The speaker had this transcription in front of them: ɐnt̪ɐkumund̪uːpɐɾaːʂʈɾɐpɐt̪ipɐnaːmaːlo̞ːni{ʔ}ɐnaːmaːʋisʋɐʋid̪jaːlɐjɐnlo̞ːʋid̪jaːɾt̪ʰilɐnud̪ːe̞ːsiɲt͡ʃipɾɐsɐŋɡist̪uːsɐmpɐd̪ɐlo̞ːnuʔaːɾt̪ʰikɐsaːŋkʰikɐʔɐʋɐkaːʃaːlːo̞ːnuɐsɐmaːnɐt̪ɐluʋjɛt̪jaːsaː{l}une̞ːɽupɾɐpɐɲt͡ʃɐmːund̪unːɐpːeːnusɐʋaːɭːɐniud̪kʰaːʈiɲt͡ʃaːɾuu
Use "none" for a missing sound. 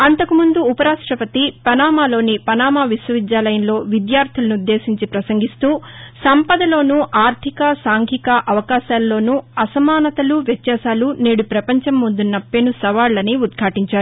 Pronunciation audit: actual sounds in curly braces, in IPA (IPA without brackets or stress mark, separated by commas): p, l